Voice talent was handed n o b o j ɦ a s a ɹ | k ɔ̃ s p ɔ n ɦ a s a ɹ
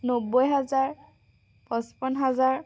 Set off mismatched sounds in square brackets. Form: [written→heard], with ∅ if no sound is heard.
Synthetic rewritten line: n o b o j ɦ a [s→z] a ɹ | [k→p] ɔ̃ s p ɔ n ɦ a [s→z] a ɹ